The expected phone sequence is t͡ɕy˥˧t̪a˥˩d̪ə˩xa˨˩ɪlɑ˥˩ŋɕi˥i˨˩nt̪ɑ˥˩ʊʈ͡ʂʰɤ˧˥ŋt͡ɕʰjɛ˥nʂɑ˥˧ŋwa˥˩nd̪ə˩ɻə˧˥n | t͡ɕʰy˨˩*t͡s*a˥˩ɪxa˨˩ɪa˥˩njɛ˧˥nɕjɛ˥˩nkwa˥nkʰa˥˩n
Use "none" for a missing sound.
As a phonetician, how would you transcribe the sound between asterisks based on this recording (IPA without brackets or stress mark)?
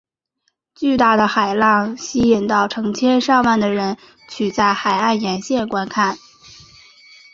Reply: t͡s